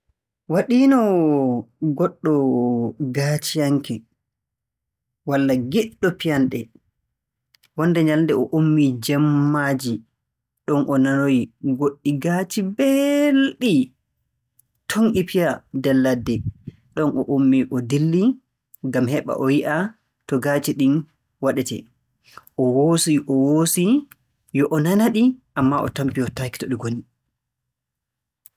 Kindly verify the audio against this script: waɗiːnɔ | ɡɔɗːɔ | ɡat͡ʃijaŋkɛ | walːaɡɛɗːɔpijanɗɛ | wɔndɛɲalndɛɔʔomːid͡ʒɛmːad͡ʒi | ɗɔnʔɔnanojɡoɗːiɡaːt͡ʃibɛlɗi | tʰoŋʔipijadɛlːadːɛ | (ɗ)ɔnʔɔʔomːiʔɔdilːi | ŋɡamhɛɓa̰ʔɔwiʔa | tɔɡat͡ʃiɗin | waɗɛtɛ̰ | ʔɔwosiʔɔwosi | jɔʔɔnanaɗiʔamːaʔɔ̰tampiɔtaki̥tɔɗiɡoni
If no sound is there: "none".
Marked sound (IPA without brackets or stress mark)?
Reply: ɗ